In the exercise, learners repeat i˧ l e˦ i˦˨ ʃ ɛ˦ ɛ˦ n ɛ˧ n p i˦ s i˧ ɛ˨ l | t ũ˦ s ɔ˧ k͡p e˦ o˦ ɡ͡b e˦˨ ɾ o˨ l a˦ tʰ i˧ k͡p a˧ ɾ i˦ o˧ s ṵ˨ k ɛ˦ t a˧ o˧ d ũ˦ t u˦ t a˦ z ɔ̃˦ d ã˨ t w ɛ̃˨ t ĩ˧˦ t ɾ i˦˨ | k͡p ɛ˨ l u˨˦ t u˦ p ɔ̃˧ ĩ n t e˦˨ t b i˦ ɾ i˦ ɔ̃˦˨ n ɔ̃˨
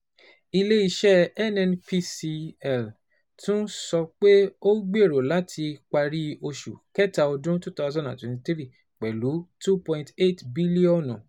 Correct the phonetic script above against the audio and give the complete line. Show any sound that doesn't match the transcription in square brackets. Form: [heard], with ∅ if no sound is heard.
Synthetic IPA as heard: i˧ l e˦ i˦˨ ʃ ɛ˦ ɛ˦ n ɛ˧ n p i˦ s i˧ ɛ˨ l | t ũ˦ s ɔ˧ k͡p e˦ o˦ ɡ͡b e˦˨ ɾ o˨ l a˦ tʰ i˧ k͡p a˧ ɾ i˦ o˧ [ʃ] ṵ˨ k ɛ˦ t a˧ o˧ d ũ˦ t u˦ t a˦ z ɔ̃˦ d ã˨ t w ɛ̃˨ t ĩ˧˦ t ɾ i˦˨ | k͡p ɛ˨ l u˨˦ t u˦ p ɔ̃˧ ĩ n t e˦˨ t b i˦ [l] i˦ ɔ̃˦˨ n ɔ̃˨